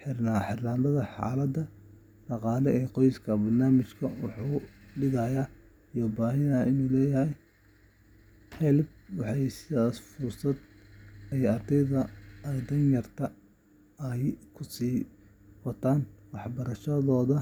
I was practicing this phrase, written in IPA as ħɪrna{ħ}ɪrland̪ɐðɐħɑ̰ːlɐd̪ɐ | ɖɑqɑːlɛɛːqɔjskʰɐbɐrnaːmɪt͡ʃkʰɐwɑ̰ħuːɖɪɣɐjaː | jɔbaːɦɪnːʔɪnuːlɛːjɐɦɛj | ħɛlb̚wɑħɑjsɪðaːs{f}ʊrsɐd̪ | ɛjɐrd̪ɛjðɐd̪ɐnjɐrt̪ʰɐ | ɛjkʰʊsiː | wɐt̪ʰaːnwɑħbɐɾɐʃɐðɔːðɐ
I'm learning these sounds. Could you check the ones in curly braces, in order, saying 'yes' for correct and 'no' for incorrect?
yes, yes

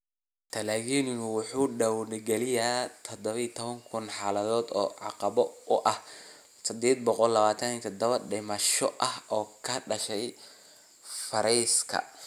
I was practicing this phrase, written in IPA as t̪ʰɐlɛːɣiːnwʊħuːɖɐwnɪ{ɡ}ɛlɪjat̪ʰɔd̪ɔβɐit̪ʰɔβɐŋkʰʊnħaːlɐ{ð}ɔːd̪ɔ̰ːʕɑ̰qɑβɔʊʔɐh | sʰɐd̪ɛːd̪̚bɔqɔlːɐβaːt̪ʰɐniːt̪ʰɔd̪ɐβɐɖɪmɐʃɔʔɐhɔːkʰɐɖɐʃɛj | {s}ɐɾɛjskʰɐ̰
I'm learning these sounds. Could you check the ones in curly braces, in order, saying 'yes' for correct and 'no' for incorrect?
yes, yes, no

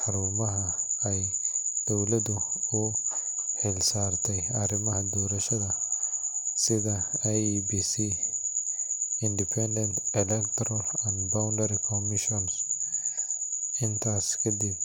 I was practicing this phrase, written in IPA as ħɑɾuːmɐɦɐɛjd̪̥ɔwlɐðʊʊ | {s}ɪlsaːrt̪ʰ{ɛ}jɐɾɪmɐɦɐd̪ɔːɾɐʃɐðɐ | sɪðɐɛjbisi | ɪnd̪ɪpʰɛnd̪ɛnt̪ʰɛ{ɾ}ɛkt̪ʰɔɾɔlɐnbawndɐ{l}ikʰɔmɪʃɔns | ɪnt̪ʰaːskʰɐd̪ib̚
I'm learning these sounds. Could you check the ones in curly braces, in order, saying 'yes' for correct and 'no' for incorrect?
no, yes, no, no

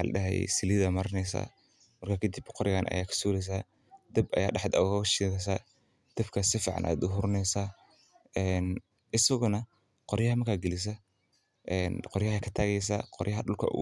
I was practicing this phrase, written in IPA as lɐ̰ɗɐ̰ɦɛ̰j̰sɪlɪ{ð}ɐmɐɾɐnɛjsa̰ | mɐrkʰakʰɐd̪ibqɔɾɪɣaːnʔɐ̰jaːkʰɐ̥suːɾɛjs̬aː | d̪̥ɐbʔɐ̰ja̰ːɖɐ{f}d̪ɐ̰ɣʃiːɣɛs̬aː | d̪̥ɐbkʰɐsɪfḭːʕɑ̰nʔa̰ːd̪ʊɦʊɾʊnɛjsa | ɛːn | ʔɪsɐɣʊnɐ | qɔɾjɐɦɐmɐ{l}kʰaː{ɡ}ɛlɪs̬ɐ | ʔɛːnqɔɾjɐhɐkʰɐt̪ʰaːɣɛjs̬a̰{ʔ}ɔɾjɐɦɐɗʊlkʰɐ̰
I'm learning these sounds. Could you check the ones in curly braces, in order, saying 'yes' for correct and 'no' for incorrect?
yes, no, no, yes, no

